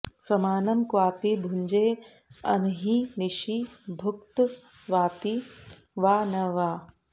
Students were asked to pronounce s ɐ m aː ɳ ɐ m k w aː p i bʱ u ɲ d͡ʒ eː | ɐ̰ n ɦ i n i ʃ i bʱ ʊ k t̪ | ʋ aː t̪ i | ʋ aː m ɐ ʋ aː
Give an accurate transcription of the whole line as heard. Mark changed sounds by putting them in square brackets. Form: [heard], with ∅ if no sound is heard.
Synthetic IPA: s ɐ m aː [n] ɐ m k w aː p i bʱ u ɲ d͡ʒ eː | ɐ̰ n ɦ i n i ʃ i bʱ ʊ k t̪ | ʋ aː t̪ i | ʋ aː [n] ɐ ʋ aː